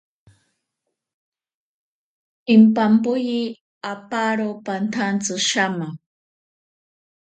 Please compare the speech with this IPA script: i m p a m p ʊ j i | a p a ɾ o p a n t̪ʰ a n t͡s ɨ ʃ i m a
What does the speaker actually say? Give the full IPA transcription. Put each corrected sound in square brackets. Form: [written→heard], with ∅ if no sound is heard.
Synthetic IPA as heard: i m p a m p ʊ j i | a p a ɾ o p a n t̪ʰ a n t͡s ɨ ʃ [i→a] m a